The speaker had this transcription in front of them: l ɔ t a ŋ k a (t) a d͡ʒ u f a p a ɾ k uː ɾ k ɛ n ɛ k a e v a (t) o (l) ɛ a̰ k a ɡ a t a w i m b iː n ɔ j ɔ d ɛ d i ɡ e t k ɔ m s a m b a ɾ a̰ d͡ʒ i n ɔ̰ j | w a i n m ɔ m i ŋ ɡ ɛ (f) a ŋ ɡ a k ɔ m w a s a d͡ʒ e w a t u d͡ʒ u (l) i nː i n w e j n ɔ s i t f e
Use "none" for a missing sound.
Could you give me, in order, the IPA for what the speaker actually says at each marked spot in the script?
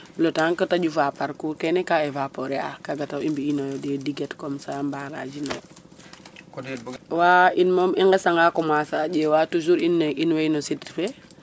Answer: t, p, ɾ, s, ɾ

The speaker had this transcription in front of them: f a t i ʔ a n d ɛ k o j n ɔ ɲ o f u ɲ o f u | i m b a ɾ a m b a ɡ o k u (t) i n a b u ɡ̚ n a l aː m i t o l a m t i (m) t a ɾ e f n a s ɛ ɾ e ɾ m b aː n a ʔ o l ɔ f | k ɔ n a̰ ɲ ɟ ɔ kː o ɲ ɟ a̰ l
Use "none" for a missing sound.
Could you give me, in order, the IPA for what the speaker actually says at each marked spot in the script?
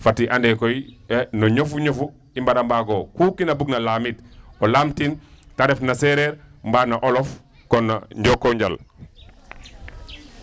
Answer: k, n

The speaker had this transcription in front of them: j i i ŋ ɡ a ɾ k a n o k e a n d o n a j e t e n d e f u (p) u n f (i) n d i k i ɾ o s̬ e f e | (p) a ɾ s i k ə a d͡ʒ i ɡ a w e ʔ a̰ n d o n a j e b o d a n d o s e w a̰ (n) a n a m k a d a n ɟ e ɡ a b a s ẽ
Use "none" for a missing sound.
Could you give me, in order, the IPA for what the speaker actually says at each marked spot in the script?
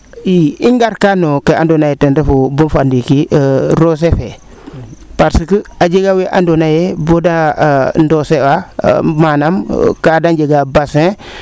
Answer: b, a, p, m

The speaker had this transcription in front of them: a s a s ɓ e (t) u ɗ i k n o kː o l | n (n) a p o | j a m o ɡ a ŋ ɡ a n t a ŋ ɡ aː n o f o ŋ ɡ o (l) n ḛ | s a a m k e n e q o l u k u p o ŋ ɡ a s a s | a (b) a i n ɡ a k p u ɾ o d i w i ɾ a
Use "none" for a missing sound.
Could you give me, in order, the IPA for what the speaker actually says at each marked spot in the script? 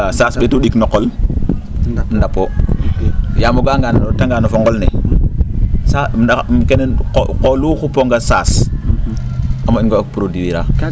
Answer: t, d, l, m

